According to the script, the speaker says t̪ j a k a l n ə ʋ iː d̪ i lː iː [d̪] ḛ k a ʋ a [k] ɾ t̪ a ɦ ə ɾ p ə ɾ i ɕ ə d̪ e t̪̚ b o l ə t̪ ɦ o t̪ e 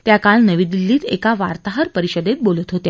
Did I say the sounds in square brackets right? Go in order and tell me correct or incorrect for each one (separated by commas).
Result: incorrect, incorrect